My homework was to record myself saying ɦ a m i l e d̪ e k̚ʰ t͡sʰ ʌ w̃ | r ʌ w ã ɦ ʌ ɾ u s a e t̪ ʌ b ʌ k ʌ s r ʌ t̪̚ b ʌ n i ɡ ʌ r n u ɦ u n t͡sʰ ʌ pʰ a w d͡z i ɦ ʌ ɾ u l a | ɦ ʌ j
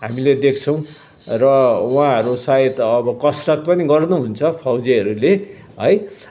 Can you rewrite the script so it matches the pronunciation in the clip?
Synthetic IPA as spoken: ɦ a m i l e d̪ e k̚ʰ t͡sʰ ʌ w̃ | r ʌ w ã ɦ ʌ ɾ u s a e t̪ ʌ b ʌ k ʌ s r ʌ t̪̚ p ʌ n i ɡ ʌ r n u ɦ u n t͡sʰ ʌ pʰ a w d͡z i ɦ ʌ ɾ u l e | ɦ ʌ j